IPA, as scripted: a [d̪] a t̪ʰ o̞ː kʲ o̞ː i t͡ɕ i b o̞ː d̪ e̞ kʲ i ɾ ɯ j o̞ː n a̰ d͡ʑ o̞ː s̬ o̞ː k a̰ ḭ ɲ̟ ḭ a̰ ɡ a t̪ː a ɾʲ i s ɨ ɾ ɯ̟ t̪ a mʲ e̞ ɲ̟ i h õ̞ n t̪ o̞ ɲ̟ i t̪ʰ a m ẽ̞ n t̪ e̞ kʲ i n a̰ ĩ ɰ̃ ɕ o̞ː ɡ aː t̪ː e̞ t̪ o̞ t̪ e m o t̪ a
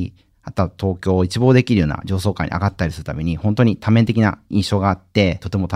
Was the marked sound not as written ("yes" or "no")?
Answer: yes